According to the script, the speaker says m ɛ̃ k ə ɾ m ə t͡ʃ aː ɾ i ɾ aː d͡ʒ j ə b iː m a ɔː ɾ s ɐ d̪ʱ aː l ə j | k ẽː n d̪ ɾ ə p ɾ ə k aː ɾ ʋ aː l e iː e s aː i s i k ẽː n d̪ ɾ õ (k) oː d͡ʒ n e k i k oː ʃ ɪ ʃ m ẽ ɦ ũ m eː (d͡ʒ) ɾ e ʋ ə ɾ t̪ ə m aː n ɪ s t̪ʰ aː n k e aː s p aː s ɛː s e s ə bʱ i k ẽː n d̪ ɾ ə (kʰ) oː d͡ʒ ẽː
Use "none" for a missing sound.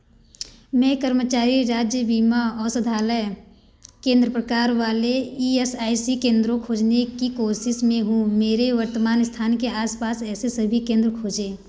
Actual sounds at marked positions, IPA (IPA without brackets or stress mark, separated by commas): kʰ, none, kʰ